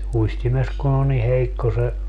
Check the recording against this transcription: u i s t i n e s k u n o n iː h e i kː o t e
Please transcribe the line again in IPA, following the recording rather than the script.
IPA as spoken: u i s t i m e s k u n o n i h e i kː o s e